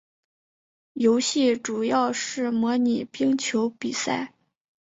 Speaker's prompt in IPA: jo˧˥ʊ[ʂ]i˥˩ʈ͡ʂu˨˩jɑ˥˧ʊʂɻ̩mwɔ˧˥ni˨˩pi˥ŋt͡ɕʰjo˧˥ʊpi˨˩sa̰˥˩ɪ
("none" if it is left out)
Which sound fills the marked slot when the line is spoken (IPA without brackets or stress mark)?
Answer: ɕ